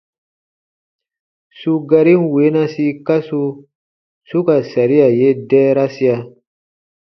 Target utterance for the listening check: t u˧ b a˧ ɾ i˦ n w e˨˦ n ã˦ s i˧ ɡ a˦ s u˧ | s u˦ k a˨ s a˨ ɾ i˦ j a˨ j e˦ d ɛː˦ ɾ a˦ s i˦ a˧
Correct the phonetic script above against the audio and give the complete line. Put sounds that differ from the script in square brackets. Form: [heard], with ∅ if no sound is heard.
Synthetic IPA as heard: [s] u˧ [ɡ] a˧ ɾ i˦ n w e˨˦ n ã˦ s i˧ [k] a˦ s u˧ | s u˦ k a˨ s a˨ ɾ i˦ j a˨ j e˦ d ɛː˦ ɾ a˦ s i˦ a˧